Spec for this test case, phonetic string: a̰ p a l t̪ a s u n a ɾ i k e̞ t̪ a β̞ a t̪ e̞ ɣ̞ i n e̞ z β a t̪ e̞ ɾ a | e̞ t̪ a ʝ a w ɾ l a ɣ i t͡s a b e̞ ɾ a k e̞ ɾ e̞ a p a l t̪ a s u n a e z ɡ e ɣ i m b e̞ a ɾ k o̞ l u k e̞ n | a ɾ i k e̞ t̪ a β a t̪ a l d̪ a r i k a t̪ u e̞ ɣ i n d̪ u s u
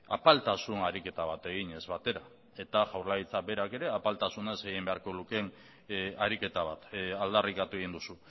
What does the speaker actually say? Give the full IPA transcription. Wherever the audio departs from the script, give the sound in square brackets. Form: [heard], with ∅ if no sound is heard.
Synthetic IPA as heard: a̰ p a l t̪ a s u n a ɾ i k e̞ t̪ a β̞ a t̪ e̞ ɣ̞ i [ɲ] e̞ z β a t̪ e̞ ɾ a | e̞ t̪ a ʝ a w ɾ l a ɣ i t͡s a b e̞ ɾ a k e̞ ɾ e̞ a p a l t̪ a s u n a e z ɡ e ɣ i m b e̞ a ɾ k o̞ l u k e̞ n | a ɾ i k e̞ t̪ a β a t̪ a l d̪ a r i k a t̪ u e̞ ɣ i n d̪ u s u